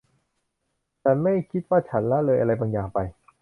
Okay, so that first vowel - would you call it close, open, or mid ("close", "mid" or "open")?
open